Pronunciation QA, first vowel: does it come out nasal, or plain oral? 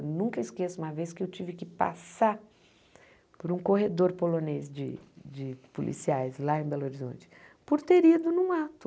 nasal